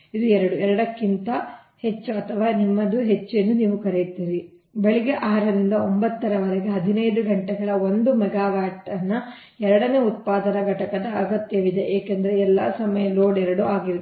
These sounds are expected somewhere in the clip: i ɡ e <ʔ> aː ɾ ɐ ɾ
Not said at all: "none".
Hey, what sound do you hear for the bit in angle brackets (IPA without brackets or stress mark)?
ʔ